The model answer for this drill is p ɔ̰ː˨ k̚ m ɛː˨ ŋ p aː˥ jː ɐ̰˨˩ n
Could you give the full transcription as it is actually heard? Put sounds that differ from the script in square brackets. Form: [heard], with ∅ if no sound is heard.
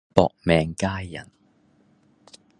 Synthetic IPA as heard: p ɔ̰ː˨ k̚ m ɛː˨ ŋ [k] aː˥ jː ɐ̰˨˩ n